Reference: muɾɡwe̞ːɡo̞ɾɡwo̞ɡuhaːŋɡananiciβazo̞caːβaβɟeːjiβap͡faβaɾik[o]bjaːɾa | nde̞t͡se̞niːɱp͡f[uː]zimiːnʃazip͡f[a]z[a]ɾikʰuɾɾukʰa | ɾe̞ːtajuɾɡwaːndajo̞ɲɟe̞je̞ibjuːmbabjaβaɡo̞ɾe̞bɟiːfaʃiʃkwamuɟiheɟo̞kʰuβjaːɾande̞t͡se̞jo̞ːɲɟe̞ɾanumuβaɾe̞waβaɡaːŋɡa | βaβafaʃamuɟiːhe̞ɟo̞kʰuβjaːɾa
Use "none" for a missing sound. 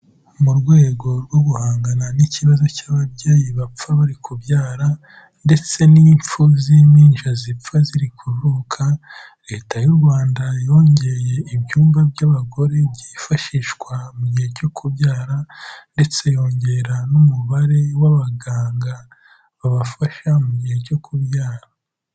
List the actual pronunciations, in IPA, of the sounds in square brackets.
u, u, a, i

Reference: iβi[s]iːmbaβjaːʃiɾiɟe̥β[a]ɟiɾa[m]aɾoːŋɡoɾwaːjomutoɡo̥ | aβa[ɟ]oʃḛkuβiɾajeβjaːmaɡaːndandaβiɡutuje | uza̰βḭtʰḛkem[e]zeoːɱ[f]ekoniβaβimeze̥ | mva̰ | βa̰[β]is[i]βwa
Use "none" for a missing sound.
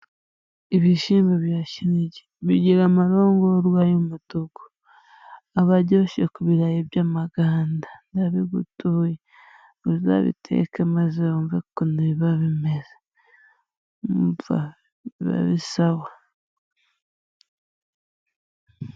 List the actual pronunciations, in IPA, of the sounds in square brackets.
ʃ, i, m, ɟ, a, v, β, a

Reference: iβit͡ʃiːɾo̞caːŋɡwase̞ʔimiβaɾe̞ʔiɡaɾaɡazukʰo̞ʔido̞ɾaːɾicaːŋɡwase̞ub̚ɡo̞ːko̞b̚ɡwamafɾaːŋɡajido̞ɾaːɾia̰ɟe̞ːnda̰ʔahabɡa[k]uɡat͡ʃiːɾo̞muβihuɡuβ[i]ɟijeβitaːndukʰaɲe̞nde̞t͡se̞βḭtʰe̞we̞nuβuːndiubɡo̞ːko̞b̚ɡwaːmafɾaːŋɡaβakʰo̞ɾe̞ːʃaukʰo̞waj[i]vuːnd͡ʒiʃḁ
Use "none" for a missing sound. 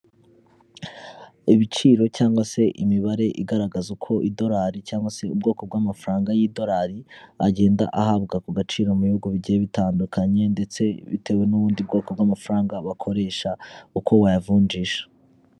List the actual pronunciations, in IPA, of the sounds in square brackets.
k, i, a

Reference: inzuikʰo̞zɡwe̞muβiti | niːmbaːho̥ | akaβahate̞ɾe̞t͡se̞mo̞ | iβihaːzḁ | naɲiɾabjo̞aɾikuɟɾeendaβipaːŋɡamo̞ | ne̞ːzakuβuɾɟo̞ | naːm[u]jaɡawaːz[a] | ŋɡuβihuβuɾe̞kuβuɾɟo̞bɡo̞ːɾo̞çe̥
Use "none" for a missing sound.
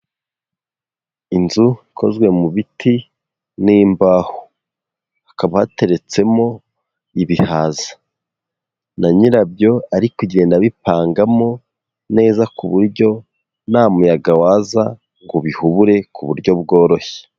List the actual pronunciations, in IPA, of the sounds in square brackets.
u, a

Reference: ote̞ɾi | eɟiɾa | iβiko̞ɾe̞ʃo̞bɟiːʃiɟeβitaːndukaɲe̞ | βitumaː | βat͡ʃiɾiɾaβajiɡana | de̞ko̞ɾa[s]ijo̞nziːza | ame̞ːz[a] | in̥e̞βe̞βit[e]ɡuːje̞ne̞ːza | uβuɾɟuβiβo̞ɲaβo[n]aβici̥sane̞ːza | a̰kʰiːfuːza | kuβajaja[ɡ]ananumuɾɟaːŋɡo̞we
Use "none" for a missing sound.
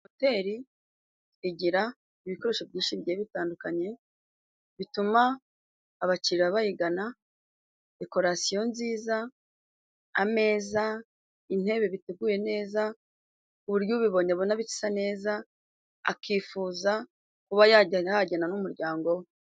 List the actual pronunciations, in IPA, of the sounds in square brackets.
s, a, e, n, ɟ

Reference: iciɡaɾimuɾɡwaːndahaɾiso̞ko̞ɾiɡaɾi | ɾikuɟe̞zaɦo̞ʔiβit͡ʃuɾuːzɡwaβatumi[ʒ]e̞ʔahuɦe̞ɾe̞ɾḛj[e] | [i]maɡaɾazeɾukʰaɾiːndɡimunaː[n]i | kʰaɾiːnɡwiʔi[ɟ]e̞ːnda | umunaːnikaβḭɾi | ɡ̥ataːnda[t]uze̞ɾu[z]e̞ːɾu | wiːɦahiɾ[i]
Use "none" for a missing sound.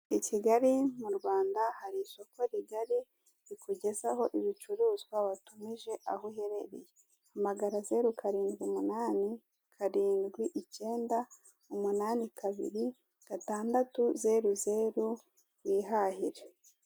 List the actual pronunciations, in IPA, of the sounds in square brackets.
ʒ, e, a, n, c, t, z, e

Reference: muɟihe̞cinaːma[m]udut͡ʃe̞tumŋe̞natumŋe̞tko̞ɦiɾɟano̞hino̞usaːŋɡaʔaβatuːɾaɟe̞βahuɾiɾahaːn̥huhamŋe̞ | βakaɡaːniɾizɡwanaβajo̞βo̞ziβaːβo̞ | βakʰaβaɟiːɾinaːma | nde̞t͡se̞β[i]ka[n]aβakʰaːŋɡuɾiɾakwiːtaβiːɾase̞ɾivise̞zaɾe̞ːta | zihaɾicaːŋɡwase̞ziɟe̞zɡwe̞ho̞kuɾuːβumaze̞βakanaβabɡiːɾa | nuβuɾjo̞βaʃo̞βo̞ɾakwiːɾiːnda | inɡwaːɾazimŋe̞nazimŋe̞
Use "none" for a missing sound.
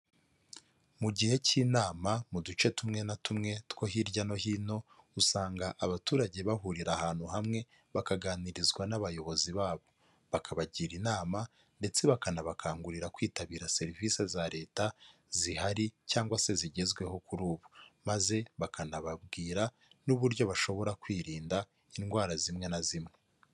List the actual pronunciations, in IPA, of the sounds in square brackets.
m, a, n

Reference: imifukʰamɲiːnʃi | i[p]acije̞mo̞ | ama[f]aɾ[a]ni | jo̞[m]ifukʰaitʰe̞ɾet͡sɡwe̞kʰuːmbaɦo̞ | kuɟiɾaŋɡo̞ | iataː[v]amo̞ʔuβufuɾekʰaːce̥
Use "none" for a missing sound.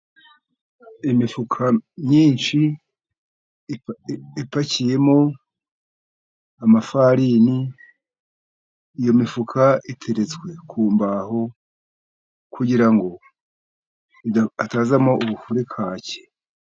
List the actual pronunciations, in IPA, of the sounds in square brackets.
p, f, i, m, z

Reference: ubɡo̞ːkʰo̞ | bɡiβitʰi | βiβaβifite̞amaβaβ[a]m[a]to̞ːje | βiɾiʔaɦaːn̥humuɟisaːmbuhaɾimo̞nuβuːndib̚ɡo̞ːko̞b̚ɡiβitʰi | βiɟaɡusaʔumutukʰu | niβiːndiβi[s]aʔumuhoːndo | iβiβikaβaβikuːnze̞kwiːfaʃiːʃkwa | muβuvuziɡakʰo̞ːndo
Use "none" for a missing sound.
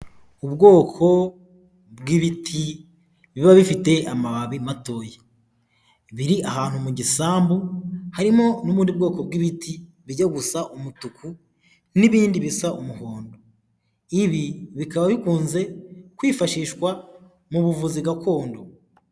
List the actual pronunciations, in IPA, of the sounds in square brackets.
i, a, s

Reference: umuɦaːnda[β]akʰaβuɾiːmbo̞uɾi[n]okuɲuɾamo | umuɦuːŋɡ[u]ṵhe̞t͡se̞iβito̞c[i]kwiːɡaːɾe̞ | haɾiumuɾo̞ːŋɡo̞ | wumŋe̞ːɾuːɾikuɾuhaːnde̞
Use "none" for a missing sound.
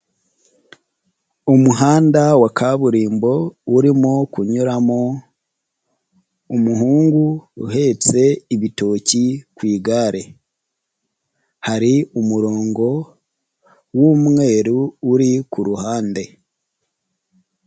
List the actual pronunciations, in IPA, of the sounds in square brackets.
w, m, u, i

